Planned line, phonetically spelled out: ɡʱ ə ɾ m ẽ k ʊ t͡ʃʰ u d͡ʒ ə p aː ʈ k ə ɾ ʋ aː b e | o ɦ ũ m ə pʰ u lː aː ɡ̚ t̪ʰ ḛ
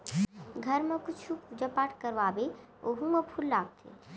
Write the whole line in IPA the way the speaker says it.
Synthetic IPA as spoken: ɡʱ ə ɾ m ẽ k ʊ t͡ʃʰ u d͡ʒ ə p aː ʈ k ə ɾ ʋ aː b e | o ɦ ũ m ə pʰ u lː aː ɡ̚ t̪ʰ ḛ